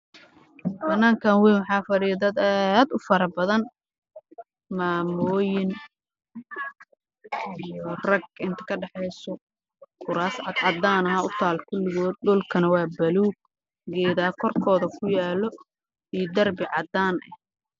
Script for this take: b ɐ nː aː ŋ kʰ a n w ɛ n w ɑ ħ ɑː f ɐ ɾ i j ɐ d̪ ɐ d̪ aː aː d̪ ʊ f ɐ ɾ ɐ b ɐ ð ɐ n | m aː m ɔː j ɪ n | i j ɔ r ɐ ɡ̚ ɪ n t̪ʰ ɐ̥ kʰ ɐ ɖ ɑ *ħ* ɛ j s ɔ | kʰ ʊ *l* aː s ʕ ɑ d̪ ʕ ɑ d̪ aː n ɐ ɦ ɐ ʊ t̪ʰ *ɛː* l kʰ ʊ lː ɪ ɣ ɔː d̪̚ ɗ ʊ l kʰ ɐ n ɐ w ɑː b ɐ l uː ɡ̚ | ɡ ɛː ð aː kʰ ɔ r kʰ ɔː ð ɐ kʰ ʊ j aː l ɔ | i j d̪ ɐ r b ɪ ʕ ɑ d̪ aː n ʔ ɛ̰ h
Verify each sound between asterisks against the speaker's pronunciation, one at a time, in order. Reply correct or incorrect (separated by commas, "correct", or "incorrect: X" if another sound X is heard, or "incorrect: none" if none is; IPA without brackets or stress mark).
correct, incorrect: ɾ, incorrect: aː